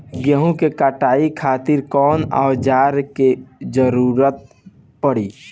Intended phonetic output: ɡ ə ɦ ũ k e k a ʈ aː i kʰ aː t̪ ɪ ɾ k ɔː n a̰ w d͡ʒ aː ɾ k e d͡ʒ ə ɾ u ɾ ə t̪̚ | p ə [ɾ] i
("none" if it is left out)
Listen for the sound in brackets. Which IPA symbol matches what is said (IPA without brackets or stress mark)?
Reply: ɽ